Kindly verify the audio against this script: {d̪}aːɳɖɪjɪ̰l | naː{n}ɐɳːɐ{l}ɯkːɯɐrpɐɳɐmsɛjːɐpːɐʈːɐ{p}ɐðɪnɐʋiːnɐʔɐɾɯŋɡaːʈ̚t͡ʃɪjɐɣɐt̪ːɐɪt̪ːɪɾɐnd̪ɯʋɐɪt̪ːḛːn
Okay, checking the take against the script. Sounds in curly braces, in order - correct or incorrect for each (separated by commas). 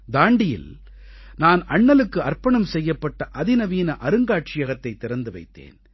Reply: correct, correct, correct, incorrect